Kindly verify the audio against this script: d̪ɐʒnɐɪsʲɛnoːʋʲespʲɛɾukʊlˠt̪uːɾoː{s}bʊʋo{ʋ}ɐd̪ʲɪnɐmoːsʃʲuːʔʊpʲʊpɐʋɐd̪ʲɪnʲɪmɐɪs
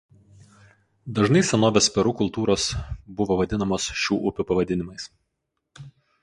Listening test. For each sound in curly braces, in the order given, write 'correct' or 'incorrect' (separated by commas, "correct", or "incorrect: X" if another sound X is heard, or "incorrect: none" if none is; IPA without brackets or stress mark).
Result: correct, correct